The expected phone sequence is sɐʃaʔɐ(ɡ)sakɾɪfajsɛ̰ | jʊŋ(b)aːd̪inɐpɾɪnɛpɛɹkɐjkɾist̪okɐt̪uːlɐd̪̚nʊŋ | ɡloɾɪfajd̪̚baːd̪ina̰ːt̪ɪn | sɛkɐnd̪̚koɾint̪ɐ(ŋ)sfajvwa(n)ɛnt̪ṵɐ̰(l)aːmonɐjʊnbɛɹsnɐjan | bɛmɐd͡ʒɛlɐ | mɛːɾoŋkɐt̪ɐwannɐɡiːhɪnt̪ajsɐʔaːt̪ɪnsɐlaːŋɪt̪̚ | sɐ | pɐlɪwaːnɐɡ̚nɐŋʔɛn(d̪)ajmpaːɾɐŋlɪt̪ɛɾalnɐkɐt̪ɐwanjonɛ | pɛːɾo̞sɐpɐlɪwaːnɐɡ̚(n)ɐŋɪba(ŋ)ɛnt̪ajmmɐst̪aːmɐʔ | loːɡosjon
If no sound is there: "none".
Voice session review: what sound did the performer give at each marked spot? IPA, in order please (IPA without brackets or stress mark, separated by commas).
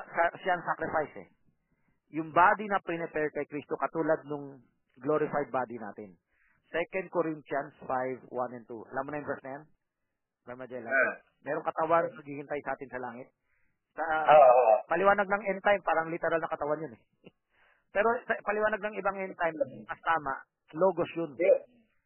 ŋ, b, n, n, l, t̪, n, ŋ